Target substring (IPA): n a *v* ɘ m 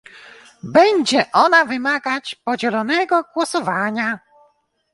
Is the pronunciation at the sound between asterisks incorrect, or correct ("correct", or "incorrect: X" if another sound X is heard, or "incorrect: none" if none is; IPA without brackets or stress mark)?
correct